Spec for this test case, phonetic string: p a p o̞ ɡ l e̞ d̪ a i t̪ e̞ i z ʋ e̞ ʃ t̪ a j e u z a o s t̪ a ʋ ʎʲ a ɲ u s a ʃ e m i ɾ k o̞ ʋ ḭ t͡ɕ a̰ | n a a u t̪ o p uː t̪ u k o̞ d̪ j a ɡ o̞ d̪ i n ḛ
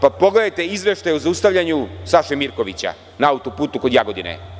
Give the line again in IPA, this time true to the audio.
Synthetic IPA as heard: p a p o̞ ɡ l e̞ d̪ a j t̪ e̞ i z ʋ e̞ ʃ t̪ a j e u z a u s t̪ a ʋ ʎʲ a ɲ u s a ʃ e m i ɾ k o̞ ʋ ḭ t͡ɕ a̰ | n a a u t̪ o p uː t̪ u k o̞ d̪ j a ɡ o̞ d̪ i n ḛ